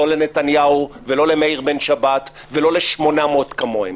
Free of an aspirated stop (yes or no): yes